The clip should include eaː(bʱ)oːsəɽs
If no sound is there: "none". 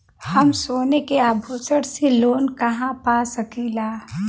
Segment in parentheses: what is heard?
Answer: bʱ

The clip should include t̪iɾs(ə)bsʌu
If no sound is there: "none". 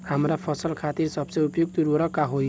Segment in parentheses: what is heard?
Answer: ʌ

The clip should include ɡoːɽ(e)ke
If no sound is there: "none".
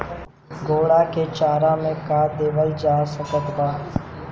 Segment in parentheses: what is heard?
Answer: a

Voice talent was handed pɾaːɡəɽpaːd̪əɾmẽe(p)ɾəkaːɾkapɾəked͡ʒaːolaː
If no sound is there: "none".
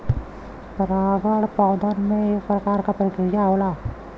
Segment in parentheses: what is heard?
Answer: p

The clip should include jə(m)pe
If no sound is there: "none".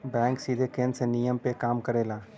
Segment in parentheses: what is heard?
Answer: m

